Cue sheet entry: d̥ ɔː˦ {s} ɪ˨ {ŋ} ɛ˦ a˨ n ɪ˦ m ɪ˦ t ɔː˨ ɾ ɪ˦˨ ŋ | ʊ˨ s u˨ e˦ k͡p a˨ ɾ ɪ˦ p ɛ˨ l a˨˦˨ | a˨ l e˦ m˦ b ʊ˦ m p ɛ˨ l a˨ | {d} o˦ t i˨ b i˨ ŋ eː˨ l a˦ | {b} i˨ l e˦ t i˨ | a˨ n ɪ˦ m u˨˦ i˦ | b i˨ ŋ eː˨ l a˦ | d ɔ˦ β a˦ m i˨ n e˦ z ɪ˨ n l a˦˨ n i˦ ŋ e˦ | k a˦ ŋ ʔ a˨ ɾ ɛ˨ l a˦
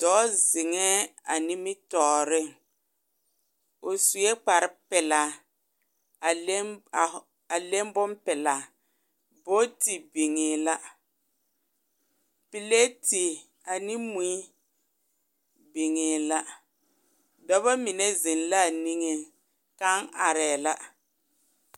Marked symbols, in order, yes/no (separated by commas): no, yes, no, no